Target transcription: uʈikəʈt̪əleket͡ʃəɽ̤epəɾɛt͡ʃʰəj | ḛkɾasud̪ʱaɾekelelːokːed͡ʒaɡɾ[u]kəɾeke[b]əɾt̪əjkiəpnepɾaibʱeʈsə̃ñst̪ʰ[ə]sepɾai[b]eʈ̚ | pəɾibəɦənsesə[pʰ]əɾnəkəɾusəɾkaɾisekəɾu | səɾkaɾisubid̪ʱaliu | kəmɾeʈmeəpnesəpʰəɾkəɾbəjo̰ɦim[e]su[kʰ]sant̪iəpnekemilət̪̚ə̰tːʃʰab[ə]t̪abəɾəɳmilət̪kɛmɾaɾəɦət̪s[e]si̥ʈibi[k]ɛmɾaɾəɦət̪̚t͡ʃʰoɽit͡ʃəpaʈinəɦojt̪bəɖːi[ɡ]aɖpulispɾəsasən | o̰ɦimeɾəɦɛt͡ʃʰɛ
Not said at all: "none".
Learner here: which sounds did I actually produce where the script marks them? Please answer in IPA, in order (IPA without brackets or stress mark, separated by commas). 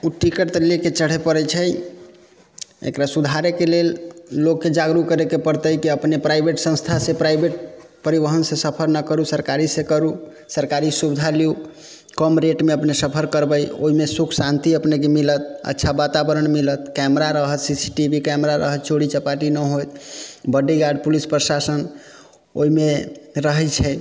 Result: u, p, a, b, pʰ, e, kʰ, a, i, k, ɡ